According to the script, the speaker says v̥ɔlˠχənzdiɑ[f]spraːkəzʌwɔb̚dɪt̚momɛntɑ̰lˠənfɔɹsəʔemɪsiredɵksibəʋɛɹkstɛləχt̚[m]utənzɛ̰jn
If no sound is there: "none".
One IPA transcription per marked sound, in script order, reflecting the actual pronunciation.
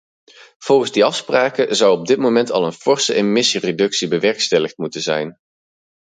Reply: f, m

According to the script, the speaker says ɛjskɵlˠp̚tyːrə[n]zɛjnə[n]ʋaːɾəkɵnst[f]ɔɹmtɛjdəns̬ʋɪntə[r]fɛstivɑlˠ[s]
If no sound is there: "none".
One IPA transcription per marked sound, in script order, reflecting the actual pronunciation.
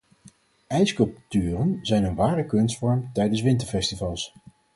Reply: n, n, f, ɹ, s

